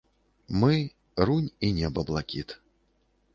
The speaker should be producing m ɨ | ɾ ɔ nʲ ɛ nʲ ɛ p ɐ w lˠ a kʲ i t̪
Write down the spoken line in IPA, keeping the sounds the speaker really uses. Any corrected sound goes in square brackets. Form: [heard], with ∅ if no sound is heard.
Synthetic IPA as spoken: m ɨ | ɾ [u] nʲ [i] nʲ ɛ [b] ɐ [b] lˠ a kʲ i t̪